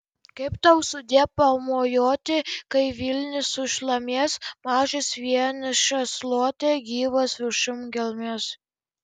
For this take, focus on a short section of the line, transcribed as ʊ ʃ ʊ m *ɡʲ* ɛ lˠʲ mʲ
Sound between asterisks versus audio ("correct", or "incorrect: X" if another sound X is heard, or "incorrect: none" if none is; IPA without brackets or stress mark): correct